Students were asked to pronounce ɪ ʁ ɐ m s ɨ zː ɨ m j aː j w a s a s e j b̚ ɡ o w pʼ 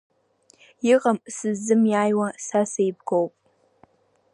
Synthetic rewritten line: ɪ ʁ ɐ m s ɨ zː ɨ m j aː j w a s a s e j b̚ ɡ o w pʼ